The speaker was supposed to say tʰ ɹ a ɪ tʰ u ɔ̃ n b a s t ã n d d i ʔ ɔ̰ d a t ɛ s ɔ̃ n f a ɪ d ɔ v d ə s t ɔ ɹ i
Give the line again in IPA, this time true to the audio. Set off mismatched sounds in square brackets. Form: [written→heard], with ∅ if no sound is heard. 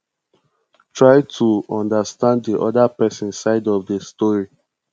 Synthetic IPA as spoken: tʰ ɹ a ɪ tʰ u ɔ̃ n [b→d] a s t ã n d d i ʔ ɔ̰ d a [t→p] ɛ s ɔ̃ n [f→s] a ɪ d ɔ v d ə s t ɔ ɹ i

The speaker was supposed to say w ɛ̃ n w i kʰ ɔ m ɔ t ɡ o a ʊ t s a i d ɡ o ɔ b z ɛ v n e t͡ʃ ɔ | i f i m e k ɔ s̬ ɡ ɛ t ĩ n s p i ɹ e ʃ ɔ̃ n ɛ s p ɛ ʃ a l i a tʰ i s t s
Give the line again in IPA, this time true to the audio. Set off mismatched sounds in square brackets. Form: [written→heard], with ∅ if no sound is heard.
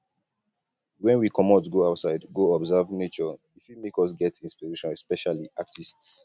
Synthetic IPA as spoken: w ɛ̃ n w i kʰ ɔ m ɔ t ɡ o a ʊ t s a [i→ɪ] d ɡ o ɔ b z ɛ v n e t͡ʃ ɔ | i f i m e k ɔ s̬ ɡ ɛ t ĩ n s p i ɹ e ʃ ɔ̃ n ɛ s p ɛ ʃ a l i a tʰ i s t s

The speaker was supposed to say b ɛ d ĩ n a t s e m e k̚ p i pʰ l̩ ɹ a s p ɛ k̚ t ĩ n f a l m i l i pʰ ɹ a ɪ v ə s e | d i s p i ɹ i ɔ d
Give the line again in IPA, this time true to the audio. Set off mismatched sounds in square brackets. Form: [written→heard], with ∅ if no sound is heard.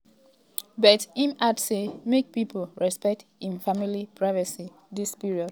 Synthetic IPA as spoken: b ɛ [d→t] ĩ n a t s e m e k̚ p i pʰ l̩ ɹ [a→ɛ] s p ɛ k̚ t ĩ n f a [l→∅] m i l i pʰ ɹ a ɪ v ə s [e→i] | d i s p i ɹ i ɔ d

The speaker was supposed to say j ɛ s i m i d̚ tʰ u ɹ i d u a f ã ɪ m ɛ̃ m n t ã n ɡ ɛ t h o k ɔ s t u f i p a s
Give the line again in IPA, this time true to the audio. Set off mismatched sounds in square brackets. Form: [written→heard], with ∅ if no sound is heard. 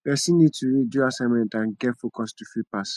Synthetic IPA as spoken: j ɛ s i [m→n] i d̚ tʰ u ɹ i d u a [f→s] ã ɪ m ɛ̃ [m→∅] n t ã n ɡ ɛ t [h→f] o k ɔ s t u f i p a s

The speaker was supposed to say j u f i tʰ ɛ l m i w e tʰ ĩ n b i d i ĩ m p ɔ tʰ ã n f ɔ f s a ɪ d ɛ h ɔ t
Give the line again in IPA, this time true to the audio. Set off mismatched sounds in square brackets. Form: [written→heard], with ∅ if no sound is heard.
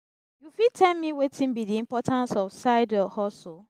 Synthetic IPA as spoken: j u f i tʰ ɛ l m i w e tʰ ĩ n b i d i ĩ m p ɔ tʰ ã n [f→s] ɔ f s a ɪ d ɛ h ɔ [t→s]

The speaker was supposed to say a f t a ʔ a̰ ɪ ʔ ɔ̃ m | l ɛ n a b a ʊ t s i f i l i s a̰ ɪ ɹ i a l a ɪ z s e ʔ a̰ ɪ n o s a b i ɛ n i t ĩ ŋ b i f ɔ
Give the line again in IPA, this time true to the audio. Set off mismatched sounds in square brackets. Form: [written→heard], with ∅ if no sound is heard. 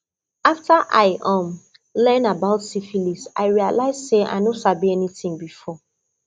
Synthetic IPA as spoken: a f t a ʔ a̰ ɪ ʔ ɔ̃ m | l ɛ n a b a ʊ t s i f i l i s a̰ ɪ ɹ i a l a ɪ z s e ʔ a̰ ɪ n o s a b i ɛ n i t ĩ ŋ b i f ɔ

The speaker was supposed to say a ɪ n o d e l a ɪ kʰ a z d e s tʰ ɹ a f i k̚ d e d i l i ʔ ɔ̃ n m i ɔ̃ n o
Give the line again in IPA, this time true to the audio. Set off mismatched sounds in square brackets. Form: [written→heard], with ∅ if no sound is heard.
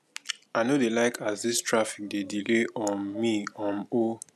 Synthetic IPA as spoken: a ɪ n o d e l a ɪ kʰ a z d [e→i] s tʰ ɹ a f i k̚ d e d i l [i→e] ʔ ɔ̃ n m i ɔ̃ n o

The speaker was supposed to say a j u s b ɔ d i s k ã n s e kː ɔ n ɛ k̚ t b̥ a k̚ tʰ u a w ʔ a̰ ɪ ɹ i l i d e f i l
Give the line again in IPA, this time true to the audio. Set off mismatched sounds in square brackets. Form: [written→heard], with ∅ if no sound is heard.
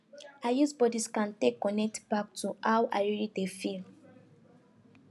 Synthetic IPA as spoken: a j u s b ɔ d i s k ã n [s→t] e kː ɔ n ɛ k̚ t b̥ a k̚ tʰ u a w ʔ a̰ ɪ ɹ i l i d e f i l

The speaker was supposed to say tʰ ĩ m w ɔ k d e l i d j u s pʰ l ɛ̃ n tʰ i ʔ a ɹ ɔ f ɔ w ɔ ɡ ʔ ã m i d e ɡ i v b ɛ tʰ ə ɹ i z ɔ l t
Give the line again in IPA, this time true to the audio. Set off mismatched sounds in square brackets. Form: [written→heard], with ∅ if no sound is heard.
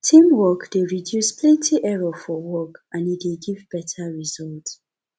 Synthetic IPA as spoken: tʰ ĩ m w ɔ k d e [l→ɹ] i d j u s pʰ l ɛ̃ n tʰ i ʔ [a→ɛ] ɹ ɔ f ɔ w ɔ [ɡ→k] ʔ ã [m→n] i d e ɡ i v b ɛ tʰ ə ɹ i z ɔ l t

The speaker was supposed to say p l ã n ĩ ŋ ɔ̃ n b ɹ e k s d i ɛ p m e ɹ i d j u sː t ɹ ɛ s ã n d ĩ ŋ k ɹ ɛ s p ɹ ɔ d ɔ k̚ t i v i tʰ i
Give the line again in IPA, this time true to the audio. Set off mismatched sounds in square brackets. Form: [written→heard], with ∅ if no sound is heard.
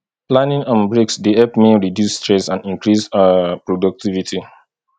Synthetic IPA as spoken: p l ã n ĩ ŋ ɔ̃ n b ɹ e k s d i ɛ p m e ɹ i d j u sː t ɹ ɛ s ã n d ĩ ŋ k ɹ [ɛ→i] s p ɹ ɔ d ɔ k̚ t i v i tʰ i

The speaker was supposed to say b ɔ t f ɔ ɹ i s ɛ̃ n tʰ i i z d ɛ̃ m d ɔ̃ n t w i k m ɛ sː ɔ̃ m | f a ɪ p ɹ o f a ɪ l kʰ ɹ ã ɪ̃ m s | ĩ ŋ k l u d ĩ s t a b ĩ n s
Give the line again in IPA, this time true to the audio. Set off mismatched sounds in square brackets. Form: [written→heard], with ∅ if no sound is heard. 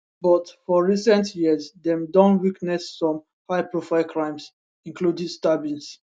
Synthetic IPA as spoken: b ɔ t f ɔ ɹ i s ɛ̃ n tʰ [i→j] i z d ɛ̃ m d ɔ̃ n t w i k [m→n] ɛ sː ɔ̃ m | [f→h] a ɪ p ɹ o f a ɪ l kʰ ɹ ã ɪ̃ m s | ĩ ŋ k l u d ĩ s t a b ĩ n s

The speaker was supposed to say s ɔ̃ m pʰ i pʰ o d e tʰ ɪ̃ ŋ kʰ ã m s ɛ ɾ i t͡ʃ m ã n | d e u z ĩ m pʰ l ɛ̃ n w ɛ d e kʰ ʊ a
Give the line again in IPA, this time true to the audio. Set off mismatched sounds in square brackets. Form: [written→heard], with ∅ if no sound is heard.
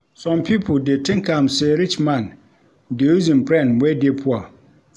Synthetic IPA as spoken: s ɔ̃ m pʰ i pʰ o d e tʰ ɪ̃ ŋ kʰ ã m s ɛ ɾ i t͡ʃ m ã n | d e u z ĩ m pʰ [l→ɾ] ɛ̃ n w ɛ d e [kʰ→pʰ] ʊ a

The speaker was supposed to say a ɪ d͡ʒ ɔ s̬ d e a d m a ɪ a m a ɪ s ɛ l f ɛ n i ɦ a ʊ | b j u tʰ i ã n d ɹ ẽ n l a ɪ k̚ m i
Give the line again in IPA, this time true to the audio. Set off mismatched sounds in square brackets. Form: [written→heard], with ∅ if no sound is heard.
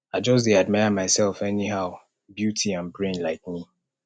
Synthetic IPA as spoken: a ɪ d͡ʒ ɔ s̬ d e a d m a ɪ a m a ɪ s ɛ l f ɛ n i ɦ a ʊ | b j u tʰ i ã n [d→b] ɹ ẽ n l a ɪ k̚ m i

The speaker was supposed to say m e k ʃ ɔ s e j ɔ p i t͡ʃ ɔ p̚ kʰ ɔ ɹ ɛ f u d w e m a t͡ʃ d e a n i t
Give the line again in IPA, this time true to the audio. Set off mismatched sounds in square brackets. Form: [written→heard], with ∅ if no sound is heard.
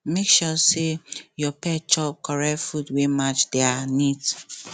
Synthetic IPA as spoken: m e k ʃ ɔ s e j ɔ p [i→ɛ] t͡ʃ ɔ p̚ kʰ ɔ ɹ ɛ f u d w e m a t͡ʃ d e a n i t

